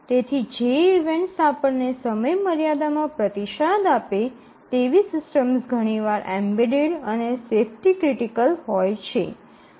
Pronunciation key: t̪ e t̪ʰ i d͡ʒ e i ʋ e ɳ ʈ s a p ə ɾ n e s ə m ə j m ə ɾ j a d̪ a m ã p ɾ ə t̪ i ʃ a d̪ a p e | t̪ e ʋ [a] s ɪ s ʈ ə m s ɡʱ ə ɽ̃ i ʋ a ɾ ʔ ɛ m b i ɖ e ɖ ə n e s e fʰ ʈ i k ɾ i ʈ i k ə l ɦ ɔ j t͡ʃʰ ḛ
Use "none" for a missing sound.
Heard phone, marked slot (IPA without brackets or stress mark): i